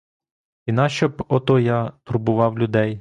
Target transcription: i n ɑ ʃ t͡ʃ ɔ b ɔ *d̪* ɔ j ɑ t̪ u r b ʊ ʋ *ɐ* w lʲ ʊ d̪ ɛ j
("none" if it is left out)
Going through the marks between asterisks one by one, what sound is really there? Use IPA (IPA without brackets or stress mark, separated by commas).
t̪, ɑ